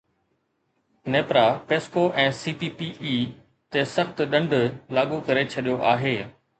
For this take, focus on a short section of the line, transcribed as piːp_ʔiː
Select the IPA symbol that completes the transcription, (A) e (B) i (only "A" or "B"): B